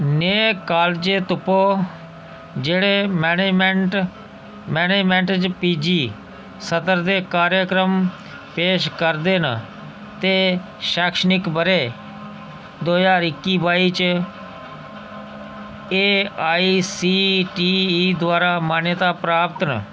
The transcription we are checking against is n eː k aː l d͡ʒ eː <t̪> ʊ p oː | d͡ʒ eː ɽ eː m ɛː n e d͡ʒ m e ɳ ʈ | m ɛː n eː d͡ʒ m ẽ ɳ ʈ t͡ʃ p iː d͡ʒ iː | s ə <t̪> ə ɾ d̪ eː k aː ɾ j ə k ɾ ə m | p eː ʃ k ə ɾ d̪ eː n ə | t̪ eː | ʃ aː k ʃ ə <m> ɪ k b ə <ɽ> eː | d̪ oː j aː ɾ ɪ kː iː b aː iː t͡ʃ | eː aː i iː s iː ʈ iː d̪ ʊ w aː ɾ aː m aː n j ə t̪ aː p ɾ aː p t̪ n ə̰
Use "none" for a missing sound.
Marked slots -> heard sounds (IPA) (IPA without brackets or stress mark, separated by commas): t̪, t̪, n, ɾ